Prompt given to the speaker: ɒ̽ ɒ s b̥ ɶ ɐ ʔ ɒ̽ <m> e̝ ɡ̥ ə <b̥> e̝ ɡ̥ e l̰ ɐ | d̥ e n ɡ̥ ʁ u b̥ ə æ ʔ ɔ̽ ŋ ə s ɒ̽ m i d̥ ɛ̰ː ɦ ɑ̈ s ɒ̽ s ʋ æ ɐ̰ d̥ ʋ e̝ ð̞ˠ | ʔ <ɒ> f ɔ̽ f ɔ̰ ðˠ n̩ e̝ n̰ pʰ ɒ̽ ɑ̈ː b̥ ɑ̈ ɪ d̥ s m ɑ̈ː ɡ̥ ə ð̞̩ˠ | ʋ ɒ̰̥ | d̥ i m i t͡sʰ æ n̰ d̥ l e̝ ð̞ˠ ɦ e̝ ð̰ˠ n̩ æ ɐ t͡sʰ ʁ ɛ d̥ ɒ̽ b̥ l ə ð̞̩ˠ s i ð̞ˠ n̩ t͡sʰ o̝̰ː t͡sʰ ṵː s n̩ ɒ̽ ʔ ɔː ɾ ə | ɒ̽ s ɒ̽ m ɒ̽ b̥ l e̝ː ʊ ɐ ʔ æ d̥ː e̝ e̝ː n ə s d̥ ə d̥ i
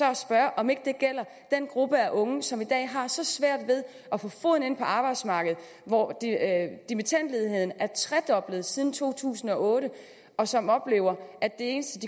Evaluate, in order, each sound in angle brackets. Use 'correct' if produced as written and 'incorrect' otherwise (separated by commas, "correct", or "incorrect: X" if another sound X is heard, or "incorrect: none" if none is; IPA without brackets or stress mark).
correct, incorrect: d̥, correct